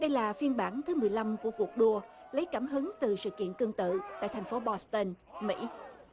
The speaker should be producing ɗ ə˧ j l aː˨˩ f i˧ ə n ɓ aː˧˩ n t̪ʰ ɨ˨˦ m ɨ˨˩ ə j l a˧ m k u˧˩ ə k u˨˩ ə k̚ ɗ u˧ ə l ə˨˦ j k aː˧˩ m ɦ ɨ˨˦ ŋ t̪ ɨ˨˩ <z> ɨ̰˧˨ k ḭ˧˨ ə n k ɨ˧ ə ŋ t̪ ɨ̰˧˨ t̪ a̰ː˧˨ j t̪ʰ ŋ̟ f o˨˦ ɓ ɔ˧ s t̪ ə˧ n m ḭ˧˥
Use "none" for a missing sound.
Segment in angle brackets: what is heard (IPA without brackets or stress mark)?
s